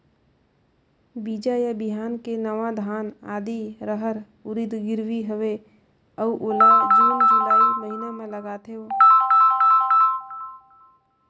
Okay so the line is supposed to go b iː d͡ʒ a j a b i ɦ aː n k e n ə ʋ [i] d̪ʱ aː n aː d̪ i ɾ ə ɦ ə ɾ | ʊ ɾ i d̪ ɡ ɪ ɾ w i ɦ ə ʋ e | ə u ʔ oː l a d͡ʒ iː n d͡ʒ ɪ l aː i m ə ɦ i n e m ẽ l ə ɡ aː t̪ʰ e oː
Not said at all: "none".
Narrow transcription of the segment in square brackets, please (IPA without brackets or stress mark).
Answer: a